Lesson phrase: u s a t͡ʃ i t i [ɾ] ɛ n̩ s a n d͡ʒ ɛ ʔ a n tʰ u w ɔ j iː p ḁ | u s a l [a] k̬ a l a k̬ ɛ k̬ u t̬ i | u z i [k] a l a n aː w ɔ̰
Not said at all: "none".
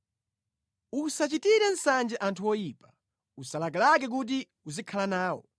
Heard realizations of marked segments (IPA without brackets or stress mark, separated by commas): ɾ, a, kʰ